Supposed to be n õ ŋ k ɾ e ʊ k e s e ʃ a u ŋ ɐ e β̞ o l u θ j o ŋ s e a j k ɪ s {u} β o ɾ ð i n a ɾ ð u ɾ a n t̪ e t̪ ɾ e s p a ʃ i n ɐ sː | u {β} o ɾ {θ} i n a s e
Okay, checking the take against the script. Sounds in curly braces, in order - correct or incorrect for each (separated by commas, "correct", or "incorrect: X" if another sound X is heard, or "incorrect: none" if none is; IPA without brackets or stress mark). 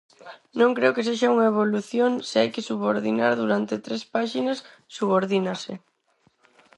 correct, correct, incorrect: ð